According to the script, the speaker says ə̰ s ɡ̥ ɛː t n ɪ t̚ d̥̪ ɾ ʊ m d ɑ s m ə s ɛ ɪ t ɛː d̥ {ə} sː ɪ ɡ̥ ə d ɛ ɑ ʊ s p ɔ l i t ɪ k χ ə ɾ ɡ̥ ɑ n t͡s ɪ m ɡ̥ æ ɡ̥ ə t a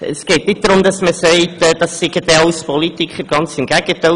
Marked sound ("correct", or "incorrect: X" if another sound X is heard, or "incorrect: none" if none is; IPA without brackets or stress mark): incorrect: ɑ